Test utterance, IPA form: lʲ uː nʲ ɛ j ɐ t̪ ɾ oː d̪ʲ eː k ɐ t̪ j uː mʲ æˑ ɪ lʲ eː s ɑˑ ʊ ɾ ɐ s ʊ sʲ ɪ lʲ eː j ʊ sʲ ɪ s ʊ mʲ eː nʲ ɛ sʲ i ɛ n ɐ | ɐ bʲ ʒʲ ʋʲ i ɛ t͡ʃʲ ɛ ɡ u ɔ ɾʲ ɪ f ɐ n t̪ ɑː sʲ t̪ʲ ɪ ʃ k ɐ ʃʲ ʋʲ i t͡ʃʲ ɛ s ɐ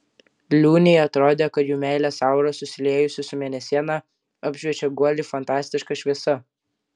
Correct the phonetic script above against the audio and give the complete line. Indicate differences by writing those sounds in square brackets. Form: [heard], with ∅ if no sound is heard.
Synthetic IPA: lʲ uː nʲ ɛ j ɐ t̪ ɾ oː d̪ʲ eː k ɐ t̪ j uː mʲ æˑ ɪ lʲ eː s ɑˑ ʊ ɾ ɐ s ʊ sʲ ɪ lʲ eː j ʊ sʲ ɪ s ʊ mʲ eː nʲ ɛ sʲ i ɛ n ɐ | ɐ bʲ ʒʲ ʋʲ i ɛ t͡ʃʲ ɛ ɡ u ɔ [lʲ] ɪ f ɐ n t̪ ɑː sʲ t̪ʲ ɪ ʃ k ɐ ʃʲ ʋʲ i [∅] ɛ s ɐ

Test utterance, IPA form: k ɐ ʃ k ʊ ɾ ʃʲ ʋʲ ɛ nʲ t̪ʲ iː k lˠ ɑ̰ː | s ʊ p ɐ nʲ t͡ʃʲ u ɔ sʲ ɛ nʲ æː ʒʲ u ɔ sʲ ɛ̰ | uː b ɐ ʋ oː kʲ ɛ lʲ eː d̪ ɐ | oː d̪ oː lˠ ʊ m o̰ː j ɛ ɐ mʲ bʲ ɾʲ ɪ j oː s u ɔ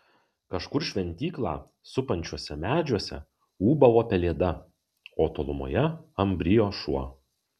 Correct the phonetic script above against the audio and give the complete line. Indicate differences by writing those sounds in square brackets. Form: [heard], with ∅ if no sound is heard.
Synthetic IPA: k ɐ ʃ k ʊ ɾ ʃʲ ʋʲ ɛ nʲ t̪ʲ iː k lˠ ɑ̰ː | s ʊ p ɐ nʲ t͡ʃʲ u ɔ sʲ ɛ [mʲ] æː [d͡ʒʲ] u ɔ sʲ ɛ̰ | uː b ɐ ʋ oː [pʲ] ɛ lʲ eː d̪ ɐ | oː [t̪] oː lˠ ʊ m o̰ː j ɛ ɐ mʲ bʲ ɾʲ ɪ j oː [ʃ] u ɔ

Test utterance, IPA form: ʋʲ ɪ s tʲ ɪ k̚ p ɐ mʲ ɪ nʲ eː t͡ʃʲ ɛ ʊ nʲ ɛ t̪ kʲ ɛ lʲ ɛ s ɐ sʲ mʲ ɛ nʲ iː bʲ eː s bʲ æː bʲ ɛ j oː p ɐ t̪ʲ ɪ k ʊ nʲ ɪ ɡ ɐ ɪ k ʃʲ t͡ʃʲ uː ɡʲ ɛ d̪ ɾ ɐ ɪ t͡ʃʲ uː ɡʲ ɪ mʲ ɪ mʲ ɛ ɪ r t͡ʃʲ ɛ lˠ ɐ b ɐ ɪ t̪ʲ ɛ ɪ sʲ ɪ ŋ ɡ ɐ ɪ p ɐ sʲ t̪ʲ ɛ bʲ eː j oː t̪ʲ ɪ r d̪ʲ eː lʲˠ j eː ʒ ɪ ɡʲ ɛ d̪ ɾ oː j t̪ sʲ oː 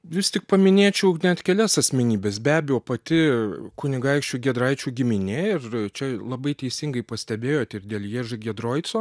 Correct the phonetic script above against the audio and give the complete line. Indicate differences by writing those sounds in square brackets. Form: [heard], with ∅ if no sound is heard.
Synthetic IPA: ʋʲ ɪ s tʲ ɪ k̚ p ɐ mʲ ɪ nʲ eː t͡ʃʲ ɛ ʊ nʲ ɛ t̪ kʲ ɛ lʲ ɛ s ɐ sʲ mʲ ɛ nʲ iː bʲ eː s bʲ æː bʲ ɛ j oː p ɐ t̪ʲ ɪ k ʊ nʲ ɪ ɡ ɐ ɪ k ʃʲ t͡ʃʲ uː ɡʲ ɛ d̪ ɾ ɐ ɪ t͡ʃʲ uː ɡʲ ɪ mʲ ɪ [nʲ] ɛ ɪ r t͡ʃʲ ɛ lˠ ɐ b ɐ ɪ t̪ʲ ɛ ɪ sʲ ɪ ŋ ɡ ɐ ɪ p ɐ sʲ t̪ʲ ɛ bʲ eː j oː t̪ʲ ɪ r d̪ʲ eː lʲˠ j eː ʒ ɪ ɡʲ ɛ d̪ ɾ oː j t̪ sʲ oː

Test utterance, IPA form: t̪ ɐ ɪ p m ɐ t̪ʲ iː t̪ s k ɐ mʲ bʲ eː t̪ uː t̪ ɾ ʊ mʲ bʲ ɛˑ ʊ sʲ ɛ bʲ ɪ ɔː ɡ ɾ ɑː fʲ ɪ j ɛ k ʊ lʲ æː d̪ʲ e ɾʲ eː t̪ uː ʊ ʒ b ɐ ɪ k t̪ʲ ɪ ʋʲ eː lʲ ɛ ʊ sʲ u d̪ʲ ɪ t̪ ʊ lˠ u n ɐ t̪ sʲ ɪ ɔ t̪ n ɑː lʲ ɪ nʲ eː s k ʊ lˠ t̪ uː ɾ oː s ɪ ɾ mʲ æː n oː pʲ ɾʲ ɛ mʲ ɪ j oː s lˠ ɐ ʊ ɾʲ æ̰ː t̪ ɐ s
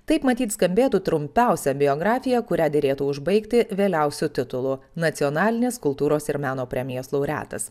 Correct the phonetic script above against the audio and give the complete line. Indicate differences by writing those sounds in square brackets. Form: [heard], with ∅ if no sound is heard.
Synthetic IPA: t̪ ɐ ɪ p m ɐ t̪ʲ iː t̪ s k ɐ mʲ bʲ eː t̪ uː t̪ ɾ ʊ mʲ [pʲ] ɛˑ ʊ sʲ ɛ bʲ ɪ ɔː ɡ ɾ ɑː fʲ ɪ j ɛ k ʊ [ɾʲ] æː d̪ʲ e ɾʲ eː t̪ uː ʊ ʒ b ɐ ɪ k t̪ʲ ɪ ʋʲ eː lʲ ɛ ʊ sʲ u [t̪ʲ] ɪ t̪ ʊ lˠ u n ɐ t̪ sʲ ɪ ɔ [∅] n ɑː lʲ ɪ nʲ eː s k ʊ lˠ t̪ uː ɾ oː s ɪ ɾ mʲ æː n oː pʲ ɾʲ ɛ mʲ ɪ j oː s lˠ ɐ ʊ ɾʲ æ̰ː t̪ ɐ s

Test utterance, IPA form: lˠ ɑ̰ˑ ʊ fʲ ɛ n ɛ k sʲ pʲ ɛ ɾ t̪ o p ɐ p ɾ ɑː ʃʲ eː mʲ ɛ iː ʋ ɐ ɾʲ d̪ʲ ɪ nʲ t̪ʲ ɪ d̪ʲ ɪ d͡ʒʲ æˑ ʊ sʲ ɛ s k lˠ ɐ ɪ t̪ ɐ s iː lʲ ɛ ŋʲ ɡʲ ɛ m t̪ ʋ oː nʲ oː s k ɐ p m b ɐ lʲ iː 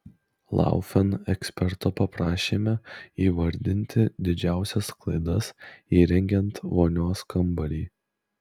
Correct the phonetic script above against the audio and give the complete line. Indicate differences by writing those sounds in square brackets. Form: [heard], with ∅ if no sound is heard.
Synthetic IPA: lˠ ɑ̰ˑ ʊ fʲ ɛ n ɛ k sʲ pʲ ɛ ɾ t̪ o p ɐ p ɾ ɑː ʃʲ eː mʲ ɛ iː ʋ ɐ ɾʲ d̪ʲ ɪ nʲ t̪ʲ ɪ d̪ʲ ɪ d͡ʒʲ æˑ ʊ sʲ ɛ s k lˠ ɐ ɪ [d̪] ɐ s iː [ɾʲ] ɛ ŋʲ ɡʲ ɛ [n] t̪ ʋ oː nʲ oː s k ɐ [∅] m b ɐ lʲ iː

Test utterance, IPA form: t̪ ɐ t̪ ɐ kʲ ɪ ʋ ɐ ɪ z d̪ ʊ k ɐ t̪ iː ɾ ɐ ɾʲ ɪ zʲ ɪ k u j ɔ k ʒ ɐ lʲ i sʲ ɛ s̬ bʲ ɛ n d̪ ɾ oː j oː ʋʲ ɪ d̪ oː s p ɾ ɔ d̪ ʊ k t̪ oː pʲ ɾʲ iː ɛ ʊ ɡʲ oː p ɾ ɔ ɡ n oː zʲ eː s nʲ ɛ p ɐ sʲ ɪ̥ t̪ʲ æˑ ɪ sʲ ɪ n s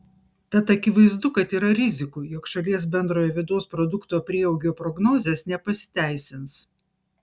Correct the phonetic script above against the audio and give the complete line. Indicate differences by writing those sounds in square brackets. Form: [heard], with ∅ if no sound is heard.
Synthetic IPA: t̪ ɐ t̪ ɐ kʲ ɪ ʋ ɐ ɪ z d̪ ʊ k ɐ t̪ iː ɾ ɐ ɾʲ ɪ zʲ ɪ k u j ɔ k [ʃ] ɐ lʲ i [∅] ɛ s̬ bʲ ɛ n d̪ ɾ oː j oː ʋʲ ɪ d̪ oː s p ɾ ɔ d̪ ʊ k t̪ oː pʲ ɾʲ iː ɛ ʊ ɡʲ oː p ɾ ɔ ɡ n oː zʲ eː s nʲ ɛ p ɐ sʲ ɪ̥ t̪ʲ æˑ ɪ sʲ ɪ n s

